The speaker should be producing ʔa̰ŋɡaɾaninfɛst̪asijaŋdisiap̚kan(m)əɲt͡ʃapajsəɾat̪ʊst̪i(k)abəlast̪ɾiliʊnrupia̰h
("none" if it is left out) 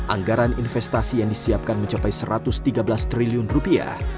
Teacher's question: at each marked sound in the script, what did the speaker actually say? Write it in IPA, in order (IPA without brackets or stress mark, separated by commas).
m, ɡ